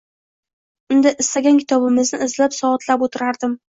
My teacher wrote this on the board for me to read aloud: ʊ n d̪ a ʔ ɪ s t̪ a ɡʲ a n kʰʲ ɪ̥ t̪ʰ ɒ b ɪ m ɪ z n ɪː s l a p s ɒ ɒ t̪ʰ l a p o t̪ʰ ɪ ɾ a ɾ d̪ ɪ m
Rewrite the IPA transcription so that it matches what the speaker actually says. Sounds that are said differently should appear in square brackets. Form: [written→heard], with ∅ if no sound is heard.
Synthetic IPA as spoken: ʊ n d̪ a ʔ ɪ s t̪ a ɡʲ a n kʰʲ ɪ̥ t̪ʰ ɒ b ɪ m ɪ z n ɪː [s→z] l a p s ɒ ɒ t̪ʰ l a p o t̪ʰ ɪ ɾ a ɾ d̪ ɪ m

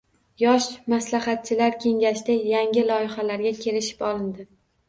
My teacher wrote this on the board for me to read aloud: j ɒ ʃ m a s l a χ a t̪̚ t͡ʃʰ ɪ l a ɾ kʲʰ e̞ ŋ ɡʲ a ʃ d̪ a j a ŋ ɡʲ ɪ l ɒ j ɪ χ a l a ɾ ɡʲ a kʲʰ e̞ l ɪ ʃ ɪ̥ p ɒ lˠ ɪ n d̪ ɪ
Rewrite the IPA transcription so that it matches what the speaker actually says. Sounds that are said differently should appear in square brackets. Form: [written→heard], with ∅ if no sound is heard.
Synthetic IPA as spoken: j ɒ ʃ m a s l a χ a t̪̚ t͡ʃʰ ɪ l a ɾ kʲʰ e̞ ŋ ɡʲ a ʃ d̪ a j a ŋ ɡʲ ɪ l ɒ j ɪ χ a l a ɾ ɡʲ a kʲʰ e̞ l ɪ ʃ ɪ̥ p ɒ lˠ ɪ n d̪ ɪ

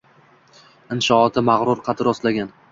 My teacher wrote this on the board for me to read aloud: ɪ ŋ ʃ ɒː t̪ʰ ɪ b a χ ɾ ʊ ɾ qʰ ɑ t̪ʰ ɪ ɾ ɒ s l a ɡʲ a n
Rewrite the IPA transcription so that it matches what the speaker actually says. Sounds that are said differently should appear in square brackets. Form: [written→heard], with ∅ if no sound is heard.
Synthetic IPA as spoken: ɪ [ŋ→n] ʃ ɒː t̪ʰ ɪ [b→m] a [χ→ʁ] ɾ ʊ ɾ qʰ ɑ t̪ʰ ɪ ɾ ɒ s l a ɡʲ a n

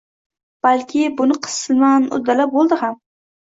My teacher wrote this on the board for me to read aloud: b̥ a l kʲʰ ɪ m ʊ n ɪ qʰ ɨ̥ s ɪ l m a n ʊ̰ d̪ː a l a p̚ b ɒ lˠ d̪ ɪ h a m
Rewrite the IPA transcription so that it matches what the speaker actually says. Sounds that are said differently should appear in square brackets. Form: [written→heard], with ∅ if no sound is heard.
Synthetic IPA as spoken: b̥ a l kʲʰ ɪ [m→b] ʊ n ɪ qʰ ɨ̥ s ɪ l m a n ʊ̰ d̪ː a l a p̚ b [ɒ→o] lˠ d̪ ɪ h a m

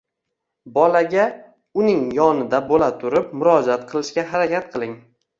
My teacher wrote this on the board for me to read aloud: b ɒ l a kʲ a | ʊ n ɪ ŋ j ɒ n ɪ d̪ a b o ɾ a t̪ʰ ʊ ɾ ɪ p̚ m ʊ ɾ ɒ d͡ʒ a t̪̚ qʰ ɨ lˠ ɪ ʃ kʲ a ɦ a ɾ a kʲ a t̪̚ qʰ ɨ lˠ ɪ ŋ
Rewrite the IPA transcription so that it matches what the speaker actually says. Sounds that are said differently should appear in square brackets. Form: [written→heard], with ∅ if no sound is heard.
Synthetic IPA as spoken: b ɒ l a [kʲ→ɡʲ] a | ʊ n ɪ ŋ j ɒ n ɪ d̪ a b o [ɾ→l] a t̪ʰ ʊ ɾ ɪ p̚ m ʊ ɾ ɒ d͡ʒ a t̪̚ qʰ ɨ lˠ ɪ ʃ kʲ a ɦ a ɾ a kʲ a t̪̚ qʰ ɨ lˠ ɪ ŋ

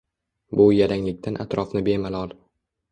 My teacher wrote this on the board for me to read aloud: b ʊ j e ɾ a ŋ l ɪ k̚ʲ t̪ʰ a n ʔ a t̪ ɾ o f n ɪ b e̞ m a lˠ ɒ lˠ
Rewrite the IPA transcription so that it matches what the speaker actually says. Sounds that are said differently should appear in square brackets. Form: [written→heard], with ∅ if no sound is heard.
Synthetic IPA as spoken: b ʊ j [e→a] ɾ a ŋ l ɪ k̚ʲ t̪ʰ a n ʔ a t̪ ɾ [o→ɒ] f n ɪ b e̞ m a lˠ ɒ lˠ

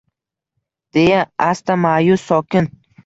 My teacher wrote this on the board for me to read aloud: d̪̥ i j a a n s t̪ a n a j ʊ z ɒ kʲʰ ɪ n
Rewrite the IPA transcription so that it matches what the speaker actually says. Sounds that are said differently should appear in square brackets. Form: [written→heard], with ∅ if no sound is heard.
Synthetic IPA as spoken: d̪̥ [i→e] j a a [n→∅] s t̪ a [n→m] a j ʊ [z→s] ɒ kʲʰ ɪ n

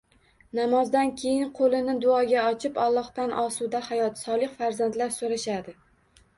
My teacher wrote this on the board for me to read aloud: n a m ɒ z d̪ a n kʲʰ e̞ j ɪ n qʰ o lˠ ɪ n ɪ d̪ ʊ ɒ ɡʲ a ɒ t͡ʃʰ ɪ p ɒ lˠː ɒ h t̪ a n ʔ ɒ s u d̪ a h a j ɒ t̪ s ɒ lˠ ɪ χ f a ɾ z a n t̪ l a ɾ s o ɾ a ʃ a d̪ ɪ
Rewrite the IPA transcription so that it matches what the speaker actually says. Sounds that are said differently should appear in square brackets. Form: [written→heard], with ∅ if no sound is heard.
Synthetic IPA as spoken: n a m ɒ z d̪ a n kʲʰ e̞ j ɪ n qʰ o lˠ ɪ n ɪ d̪ ʊ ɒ ɡʲ a ɒ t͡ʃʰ ɪ p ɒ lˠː ɒ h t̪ a n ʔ ɒ s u d̪ a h a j ɒ t̪ s ɒ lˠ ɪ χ f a ɾ z a n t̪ l a ɾ s o ɾ a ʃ a d̪ ɪ

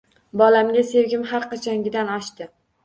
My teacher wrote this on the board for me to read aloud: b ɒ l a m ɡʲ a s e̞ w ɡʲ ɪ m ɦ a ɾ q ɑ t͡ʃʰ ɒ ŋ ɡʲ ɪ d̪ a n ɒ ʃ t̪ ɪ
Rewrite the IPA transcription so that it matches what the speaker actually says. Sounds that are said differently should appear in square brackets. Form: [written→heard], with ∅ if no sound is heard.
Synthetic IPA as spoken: b ɒ l a m ɡʲ a s e̞ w ɡʲ ɪ m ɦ a ɾ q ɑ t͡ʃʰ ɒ ŋ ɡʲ ɪ d̪ a n ɒ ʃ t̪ ɪ

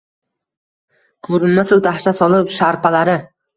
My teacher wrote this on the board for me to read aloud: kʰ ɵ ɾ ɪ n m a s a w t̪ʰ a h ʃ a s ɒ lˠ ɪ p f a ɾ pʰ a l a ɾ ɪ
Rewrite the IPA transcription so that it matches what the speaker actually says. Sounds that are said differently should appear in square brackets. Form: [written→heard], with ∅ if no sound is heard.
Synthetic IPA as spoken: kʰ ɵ ɾ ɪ n m a s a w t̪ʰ a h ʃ a s ɒ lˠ ɪ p [f→ʃ] a ɾ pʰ a l a ɾ ɪ

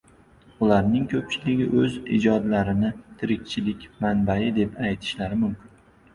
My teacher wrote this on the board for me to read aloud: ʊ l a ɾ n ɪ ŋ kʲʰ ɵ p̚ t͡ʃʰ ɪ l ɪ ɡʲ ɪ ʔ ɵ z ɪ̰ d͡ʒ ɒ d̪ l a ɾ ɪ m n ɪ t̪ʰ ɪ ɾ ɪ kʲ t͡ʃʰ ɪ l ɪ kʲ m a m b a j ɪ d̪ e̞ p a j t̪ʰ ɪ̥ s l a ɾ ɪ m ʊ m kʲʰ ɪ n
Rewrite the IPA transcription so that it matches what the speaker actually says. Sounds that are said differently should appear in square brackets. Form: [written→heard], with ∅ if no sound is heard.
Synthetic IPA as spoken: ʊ l a ɾ n ɪ ŋ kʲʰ ɵ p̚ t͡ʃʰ ɪ l ɪ ɡʲ ɪ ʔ ɵ z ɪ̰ d͡ʒ ɒ d̪ l a ɾ ɪ [m→∅] n ɪ t̪ʰ ɪ ɾ ɪ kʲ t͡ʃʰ ɪ l ɪ kʲ m a [m→n] b a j ɪ d̪ e̞ p a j t̪ʰ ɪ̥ [s→ʃ] l a ɾ ɪ m ʊ m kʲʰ ɪ n

